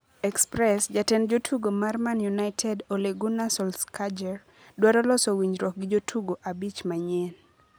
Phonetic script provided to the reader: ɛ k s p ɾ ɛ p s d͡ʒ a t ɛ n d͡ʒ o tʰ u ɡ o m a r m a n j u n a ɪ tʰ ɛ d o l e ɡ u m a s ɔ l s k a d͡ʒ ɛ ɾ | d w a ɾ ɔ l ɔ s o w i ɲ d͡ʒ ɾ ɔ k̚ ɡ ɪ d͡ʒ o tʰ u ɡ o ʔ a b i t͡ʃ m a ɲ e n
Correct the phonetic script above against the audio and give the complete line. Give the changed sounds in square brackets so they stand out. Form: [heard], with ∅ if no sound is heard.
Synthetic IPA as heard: ɛ k s p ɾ ɛ [∅] s d͡ʒ a t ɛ n d͡ʒ o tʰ u ɡ o m a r m a n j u n a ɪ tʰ ɛ d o l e ɡ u [n] a s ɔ l s k a d͡ʒ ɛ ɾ | d w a ɾ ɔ l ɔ s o w i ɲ d͡ʒ ɾ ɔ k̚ ɡ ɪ d͡ʒ o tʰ u ɡ o ʔ a b i t͡ʃ m a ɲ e n